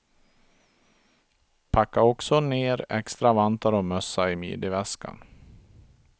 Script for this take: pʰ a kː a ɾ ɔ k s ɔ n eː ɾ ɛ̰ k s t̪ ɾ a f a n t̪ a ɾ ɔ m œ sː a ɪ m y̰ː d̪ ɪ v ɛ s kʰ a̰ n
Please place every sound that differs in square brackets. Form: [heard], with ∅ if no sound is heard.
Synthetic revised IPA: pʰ a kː a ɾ ɔ k s ɔ n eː ɾ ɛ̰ k s t̪ ɾ a [v] a n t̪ a ɾ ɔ m œ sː a ɪ m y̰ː d̪ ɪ v ɛ s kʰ a̰ n